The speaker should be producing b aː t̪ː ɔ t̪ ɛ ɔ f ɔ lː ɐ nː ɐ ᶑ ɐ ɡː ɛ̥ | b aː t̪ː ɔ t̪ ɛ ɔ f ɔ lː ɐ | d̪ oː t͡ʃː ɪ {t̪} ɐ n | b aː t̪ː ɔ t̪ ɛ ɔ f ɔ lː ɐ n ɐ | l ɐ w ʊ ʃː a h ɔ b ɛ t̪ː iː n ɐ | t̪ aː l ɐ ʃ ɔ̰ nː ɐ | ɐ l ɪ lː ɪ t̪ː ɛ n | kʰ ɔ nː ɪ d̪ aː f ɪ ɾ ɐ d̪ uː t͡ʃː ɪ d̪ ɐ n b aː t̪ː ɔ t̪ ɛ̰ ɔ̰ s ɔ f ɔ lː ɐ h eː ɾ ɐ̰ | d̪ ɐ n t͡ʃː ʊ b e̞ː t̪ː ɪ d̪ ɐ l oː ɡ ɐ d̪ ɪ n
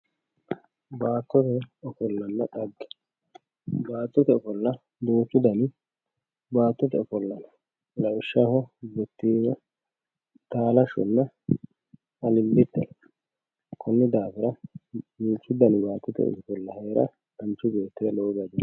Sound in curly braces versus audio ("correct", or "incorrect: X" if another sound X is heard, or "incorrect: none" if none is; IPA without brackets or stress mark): incorrect: d̪